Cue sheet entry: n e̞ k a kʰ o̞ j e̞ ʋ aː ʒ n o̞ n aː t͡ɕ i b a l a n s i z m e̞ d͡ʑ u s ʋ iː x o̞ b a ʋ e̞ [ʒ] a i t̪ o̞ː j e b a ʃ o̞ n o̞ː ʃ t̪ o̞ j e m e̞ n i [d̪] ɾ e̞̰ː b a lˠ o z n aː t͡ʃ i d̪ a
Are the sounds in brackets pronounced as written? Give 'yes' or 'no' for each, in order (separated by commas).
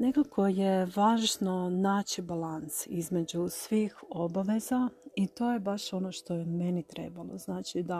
no, no